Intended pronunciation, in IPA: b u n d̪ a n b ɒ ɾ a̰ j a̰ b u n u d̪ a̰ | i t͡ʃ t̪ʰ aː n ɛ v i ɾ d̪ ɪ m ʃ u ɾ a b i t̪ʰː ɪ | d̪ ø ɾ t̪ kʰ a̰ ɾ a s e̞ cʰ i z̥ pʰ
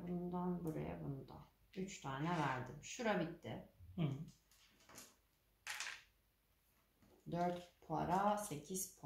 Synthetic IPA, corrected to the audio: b u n d̪ a n b u ɾ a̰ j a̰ b u n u d̪ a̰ | y t͡ʃ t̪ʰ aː n ɛ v æ ɾ d̪ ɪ m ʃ u ɾ a b i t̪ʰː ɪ | d̪ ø ɾ t̪ pʰ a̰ ɾ a s e̞ cʰ i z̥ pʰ